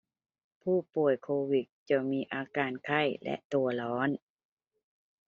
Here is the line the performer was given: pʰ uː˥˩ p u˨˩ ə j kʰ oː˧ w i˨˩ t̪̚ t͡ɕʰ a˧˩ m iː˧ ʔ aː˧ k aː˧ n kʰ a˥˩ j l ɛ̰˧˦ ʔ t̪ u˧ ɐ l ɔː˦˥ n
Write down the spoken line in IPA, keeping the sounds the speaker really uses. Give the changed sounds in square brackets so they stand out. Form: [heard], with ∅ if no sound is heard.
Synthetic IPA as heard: pʰ uː˥˩ p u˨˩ ə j kʰ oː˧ w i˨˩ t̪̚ [t͡ɕ] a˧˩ m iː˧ ʔ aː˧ k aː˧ n kʰ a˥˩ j l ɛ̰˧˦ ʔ t̪ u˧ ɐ l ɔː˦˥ n